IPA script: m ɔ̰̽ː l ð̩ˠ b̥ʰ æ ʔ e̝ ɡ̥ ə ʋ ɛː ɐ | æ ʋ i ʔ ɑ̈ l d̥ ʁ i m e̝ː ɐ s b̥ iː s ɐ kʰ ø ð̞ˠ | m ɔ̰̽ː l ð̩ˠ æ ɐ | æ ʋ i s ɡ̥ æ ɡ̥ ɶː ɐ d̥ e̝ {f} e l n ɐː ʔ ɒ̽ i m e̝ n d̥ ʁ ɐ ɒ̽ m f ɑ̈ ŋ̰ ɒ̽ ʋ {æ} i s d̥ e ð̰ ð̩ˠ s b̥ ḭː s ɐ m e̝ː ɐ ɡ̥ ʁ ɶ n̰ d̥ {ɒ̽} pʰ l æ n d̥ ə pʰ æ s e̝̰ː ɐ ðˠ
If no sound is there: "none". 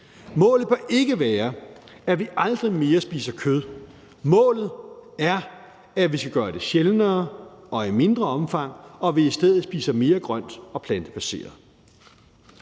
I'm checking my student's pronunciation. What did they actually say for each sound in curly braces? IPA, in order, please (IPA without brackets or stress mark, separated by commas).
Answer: ɕ, i, ɒ̽